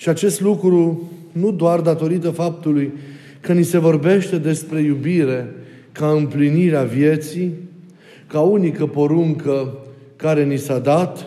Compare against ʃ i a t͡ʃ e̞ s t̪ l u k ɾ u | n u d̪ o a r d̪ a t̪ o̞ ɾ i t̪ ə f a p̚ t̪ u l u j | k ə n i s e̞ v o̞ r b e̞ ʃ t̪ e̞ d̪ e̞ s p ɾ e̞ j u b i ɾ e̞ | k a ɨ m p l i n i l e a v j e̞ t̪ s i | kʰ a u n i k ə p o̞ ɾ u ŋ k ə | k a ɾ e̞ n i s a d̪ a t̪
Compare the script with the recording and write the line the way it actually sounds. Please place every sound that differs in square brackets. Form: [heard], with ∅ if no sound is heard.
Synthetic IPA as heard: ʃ i a t͡ʃ e̞ s t̪ l u k ɾ u | n u d̪ o a r d̪ a t̪ o̞ ɾ i t̪ ə f a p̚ t̪ u l u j | k ə n i s e̞ v o̞ r b e̞ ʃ t̪ e̞ d̪ e̞ s p ɾ e̞ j u b i ɾ e̞ | k a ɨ m p l i n i [ɾ] e a v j e̞ t̪ s i | [k] a u n i k ə p o̞ ɾ u ŋ k ə | k a ɾ e̞ n i s a d̪ a t̪